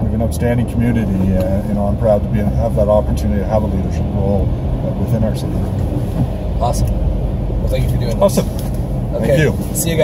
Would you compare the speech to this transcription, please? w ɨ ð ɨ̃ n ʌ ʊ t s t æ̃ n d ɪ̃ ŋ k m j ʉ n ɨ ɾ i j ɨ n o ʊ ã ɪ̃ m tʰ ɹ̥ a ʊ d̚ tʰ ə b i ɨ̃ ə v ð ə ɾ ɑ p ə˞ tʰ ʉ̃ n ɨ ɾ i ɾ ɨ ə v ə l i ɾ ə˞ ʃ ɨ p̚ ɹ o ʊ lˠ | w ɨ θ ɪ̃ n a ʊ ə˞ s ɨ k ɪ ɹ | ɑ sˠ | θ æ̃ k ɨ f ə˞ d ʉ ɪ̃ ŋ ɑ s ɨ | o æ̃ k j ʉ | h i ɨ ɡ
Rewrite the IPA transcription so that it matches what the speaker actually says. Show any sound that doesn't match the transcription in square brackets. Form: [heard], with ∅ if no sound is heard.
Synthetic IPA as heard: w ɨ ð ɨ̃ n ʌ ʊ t s t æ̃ n d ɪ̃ ŋ [kʰ] m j ʉ n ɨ ɾ i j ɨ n o ʊ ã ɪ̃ m [pʰ] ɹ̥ a ʊ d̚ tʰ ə b i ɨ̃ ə v ð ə ɾ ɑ p ə˞ tʰ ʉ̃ n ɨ ɾ i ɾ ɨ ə v ə l i ɾ ə˞ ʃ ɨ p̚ ɹ o ʊ lˠ | w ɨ θ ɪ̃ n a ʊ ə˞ s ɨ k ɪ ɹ | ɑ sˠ | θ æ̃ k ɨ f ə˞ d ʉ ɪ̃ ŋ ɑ s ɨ | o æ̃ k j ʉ | [s] i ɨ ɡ